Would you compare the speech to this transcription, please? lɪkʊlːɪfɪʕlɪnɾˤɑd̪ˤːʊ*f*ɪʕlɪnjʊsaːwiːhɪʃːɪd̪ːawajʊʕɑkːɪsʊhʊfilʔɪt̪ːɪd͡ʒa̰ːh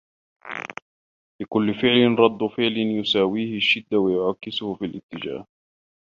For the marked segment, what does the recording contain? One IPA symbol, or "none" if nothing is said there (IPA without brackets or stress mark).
f